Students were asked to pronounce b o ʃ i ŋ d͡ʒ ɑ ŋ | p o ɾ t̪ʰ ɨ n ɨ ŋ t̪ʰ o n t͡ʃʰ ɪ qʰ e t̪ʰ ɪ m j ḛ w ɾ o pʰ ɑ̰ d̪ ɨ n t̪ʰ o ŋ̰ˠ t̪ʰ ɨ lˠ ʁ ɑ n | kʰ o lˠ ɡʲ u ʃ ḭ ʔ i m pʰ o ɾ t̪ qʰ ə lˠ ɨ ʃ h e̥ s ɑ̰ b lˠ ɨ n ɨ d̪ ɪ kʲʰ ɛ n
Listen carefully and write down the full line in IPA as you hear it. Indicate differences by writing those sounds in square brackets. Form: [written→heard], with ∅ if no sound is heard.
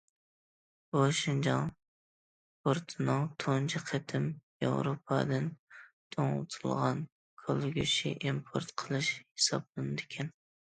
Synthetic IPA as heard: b o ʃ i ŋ d͡ʒ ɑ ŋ | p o ɾ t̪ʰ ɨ n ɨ ŋ t̪ʰ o n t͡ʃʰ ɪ qʰ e t̪ʰ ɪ m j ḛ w ɾ o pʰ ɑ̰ d̪ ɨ n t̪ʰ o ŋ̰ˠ t̪ʰ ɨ lˠ ʁ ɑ n | kʰ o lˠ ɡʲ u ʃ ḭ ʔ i m pʰ o ɾ t̪ qʰ ə lˠ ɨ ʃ h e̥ s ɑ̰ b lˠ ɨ n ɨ d̪ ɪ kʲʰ ɛ n